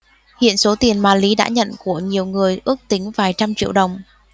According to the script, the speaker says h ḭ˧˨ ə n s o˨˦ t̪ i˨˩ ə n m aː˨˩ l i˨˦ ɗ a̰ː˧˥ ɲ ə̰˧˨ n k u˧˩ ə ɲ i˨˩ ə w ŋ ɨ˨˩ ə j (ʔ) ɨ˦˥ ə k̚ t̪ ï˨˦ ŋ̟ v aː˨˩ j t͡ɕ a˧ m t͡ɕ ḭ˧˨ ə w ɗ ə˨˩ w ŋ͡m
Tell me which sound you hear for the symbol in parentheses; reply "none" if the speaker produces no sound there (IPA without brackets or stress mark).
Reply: ʔ